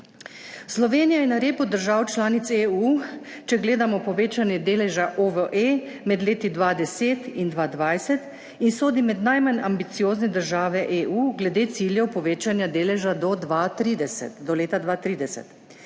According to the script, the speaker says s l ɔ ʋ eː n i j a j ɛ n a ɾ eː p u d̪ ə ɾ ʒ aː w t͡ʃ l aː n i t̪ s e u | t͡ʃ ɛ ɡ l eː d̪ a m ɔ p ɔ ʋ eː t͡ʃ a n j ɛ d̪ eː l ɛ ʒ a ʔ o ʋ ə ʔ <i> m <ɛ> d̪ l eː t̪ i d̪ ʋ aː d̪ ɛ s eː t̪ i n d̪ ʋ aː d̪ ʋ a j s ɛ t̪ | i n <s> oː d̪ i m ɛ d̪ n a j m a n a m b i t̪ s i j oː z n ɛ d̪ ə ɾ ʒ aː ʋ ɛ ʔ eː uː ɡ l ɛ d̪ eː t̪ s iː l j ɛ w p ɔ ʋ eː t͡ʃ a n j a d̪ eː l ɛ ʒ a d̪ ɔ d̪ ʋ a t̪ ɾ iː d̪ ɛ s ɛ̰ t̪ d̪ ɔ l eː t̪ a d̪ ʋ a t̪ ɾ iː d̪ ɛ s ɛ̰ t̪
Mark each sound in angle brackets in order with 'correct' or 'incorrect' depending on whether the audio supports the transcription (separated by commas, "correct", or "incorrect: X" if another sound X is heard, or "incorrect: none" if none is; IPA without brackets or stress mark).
incorrect: e, correct, correct